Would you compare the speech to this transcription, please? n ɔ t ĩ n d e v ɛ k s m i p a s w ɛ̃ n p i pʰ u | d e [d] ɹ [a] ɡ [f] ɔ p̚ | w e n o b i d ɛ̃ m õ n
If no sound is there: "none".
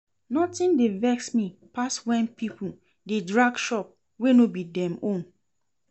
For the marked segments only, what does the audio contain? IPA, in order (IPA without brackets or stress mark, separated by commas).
d, a, ʃ